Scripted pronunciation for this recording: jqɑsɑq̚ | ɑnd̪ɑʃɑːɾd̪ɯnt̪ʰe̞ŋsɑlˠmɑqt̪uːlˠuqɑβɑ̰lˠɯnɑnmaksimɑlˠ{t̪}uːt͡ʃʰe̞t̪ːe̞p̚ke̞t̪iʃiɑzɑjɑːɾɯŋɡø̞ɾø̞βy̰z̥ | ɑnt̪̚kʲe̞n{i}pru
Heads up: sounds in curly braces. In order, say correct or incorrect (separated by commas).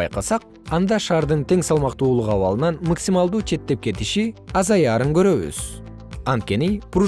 incorrect, correct